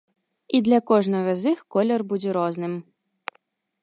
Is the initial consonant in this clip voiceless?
no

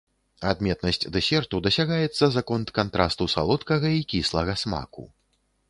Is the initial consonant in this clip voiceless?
no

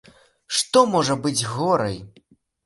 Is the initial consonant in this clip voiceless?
yes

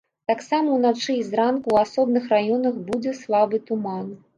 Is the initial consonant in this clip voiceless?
yes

